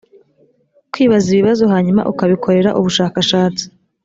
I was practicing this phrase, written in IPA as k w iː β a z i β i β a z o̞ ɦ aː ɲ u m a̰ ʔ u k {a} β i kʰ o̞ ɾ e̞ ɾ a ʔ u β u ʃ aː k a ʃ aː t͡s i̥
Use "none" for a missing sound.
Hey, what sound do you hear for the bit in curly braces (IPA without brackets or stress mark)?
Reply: a